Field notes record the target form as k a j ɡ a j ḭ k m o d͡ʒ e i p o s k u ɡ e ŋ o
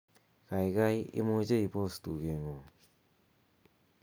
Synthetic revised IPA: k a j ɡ a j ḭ m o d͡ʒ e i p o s t u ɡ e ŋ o